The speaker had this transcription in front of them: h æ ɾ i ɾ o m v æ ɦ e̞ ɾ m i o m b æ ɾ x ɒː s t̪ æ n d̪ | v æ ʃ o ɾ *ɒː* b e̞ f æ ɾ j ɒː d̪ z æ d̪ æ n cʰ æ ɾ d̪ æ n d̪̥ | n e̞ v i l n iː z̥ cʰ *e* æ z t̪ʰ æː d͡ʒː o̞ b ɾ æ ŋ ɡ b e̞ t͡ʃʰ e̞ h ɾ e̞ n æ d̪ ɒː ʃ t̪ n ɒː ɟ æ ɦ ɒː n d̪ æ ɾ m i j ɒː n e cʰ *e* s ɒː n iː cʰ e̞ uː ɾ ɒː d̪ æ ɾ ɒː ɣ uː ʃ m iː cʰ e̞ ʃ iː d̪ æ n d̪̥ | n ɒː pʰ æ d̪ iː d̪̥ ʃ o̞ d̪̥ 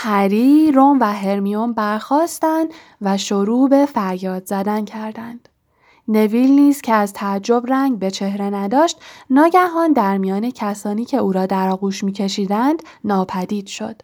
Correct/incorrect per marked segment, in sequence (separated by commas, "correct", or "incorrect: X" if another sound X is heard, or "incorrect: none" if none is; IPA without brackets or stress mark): incorrect: uː, correct, incorrect: æ